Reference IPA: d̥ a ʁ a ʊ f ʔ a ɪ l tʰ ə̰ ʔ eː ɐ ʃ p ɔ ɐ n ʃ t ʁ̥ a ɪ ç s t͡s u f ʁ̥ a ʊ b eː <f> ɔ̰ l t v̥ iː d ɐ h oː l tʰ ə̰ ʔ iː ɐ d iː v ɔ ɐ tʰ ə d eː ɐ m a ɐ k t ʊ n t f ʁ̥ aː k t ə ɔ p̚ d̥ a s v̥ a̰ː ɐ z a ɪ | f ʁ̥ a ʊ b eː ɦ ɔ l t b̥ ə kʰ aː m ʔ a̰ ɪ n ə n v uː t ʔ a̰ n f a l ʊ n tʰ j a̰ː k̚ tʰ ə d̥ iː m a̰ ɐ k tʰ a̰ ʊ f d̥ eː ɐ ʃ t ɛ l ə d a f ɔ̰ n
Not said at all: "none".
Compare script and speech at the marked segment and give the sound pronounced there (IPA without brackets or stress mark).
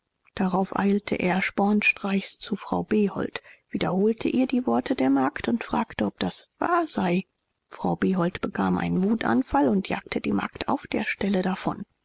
h